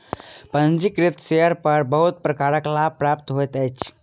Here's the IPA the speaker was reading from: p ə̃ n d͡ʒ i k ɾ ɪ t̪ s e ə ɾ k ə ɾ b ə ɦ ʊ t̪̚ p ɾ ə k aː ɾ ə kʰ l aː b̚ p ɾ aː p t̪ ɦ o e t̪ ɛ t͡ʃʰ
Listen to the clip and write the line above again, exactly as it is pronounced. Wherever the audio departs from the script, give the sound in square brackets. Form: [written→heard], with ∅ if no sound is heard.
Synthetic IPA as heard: p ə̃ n d͡ʒ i k ɾ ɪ t̪ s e ə ɾ [k→p] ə ɾ b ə ɦ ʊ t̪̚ p ɾ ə k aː ɾ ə [kʰ→k] l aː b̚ p ɾ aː p t̪ ɦ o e t̪ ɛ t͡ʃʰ